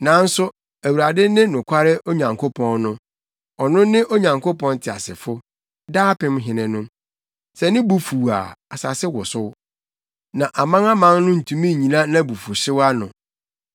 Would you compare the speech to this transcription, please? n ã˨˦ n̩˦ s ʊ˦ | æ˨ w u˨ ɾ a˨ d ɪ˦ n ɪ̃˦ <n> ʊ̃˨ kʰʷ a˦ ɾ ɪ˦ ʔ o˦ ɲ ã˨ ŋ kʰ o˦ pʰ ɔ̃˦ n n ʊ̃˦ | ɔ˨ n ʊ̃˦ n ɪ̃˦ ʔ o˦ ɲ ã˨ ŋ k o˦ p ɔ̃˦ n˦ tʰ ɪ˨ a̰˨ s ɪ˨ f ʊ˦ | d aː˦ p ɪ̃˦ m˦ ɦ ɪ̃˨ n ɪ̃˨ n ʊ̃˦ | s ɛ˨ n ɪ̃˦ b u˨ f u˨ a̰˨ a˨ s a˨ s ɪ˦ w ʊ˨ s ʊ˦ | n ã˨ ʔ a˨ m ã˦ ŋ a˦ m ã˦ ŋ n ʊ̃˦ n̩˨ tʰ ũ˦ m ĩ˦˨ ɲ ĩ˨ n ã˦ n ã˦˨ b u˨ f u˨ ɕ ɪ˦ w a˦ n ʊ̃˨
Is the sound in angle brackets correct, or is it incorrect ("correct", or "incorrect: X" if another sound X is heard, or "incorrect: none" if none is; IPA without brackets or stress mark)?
correct